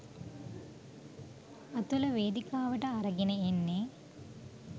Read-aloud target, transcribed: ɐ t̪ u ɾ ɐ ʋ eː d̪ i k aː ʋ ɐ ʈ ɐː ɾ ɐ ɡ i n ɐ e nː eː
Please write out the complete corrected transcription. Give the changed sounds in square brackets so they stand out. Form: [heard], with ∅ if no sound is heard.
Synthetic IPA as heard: ɐ t̪ u [l] ɐ ʋ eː d̪ i k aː ʋ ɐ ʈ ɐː ɾ ɐ ɡ i n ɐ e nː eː